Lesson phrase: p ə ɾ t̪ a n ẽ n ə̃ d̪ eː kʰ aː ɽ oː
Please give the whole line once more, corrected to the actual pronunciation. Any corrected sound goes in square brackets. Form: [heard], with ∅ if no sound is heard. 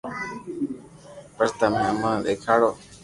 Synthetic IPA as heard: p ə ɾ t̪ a [m] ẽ [m] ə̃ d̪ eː kʰ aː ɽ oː